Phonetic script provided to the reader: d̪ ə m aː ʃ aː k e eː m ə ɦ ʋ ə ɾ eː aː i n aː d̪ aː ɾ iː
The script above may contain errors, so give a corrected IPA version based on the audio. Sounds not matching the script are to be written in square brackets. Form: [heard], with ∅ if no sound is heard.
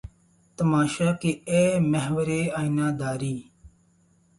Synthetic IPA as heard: [t̪] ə m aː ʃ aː k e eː m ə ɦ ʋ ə ɾ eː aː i n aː d̪ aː ɾ iː